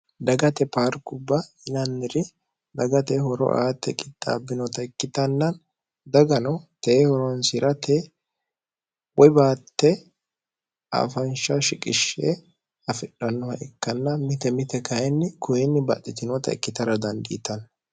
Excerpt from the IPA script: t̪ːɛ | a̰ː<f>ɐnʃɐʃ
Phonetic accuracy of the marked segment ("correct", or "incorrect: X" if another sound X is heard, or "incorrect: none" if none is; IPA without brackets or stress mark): correct